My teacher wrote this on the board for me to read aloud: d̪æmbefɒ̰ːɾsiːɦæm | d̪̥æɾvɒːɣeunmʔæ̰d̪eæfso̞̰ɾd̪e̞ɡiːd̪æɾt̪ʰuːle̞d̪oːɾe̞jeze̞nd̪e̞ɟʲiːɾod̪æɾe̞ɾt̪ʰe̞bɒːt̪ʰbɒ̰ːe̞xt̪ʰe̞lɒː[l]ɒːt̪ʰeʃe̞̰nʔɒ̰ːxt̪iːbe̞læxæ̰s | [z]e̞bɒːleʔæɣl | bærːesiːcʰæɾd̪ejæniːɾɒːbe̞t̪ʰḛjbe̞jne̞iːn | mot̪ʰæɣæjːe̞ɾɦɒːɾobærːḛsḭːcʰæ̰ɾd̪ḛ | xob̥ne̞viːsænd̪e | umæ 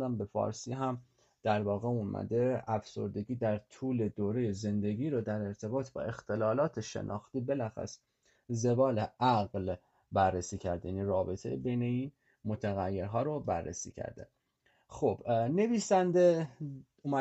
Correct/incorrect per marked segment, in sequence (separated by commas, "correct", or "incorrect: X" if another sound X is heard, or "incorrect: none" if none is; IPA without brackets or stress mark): correct, correct